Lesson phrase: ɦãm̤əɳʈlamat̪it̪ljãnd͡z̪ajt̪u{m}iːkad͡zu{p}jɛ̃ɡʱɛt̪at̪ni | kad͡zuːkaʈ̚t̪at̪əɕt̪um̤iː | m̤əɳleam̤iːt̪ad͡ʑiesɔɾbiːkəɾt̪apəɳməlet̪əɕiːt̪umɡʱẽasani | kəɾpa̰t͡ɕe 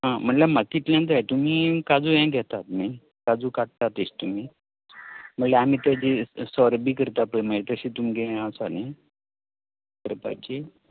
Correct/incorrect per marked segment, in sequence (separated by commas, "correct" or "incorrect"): correct, incorrect